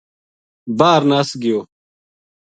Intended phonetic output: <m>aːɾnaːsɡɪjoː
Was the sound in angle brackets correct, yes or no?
no